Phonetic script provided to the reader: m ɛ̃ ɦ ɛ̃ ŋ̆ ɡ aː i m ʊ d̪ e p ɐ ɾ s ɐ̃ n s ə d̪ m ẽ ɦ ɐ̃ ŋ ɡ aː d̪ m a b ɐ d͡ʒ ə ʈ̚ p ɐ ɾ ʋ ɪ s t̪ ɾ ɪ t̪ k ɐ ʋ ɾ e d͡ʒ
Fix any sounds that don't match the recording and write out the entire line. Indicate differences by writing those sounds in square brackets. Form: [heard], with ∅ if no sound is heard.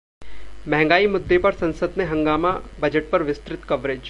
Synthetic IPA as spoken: m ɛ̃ ɦ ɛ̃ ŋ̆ ɡ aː i m ʊ [d̪ː] e p ɐ ɾ s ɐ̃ n s ə d̪ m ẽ ɦ ɐ̃ ŋ ɡ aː [∅] m a b ɐ d͡ʒ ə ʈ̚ p ɐ ɾ ʋ ɪ s t̪ ɾ ɪ t̪ k ɐ ʋ ɾ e d͡ʒ